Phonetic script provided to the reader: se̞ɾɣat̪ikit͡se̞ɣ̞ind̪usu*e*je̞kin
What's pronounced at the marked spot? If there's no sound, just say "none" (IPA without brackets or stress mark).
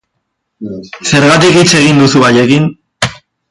a